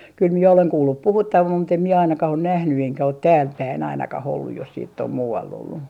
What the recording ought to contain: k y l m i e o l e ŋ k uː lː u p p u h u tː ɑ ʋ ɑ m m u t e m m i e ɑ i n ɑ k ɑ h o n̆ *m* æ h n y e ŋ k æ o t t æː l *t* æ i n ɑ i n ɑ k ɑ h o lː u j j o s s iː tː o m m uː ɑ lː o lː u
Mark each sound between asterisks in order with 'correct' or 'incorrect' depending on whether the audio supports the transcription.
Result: incorrect: n, incorrect: p

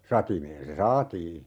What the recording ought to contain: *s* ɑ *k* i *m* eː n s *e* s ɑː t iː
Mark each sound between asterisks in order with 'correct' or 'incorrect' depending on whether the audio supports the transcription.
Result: correct, incorrect: t, correct, correct

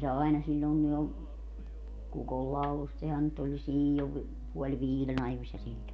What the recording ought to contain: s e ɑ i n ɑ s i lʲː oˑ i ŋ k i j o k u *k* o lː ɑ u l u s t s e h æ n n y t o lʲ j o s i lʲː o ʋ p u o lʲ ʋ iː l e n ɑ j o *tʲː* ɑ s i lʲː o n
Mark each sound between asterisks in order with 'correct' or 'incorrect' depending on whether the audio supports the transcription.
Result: correct, incorrect: sʲː

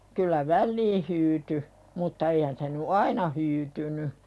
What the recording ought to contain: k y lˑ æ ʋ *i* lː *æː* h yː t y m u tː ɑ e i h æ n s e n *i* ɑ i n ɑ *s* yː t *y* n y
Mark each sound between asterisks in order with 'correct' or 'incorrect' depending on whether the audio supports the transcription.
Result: incorrect: æ, incorrect: iː, incorrect: y, incorrect: h, correct

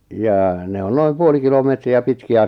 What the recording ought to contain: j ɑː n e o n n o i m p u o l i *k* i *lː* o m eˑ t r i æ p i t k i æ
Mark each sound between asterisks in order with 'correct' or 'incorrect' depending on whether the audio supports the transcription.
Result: correct, incorrect: l

